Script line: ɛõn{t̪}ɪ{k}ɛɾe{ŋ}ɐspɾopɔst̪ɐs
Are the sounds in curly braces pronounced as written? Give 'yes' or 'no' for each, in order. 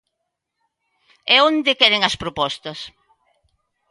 no, yes, yes

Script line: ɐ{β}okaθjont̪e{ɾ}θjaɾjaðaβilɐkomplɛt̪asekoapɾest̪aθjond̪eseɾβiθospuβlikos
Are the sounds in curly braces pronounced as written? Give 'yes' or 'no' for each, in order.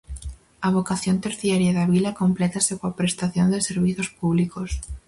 yes, yes

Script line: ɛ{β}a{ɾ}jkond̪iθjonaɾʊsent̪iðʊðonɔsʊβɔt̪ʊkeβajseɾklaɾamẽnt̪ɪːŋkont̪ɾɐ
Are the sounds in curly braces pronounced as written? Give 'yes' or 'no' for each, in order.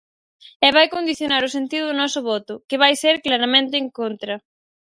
yes, no

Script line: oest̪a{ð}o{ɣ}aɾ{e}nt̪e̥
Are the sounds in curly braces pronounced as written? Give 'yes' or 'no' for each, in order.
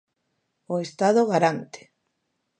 yes, yes, no

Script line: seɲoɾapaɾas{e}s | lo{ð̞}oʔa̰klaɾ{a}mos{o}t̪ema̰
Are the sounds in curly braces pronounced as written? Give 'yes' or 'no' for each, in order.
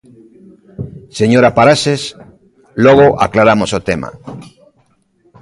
yes, no, yes, yes

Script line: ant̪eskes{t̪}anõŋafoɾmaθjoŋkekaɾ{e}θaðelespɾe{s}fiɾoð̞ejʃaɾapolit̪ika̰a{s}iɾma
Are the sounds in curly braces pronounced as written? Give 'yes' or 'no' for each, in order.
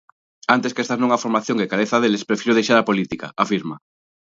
yes, yes, no, no

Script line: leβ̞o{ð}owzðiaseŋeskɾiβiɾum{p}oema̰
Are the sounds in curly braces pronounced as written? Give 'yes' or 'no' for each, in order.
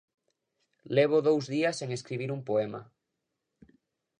yes, yes

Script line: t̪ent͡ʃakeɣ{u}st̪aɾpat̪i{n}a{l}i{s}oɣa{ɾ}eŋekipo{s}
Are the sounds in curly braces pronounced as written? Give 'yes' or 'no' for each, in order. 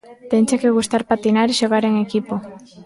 yes, yes, no, no, yes, no

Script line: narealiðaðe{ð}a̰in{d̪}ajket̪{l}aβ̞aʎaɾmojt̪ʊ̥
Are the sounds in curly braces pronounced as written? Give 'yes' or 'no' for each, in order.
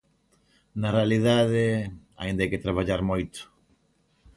no, yes, no

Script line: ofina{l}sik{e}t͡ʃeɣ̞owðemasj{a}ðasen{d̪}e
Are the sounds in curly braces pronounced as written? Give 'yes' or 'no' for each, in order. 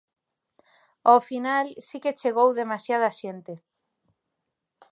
yes, yes, yes, no

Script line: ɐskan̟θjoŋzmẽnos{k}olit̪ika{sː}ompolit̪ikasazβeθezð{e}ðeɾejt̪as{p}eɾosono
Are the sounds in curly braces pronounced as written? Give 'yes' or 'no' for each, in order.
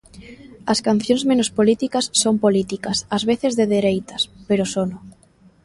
no, yes, yes, yes

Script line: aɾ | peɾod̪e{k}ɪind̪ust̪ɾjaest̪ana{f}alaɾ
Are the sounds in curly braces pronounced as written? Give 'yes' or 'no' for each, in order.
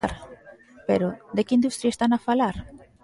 yes, yes

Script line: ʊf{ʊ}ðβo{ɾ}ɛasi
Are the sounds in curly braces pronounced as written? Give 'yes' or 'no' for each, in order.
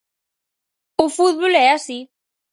no, no

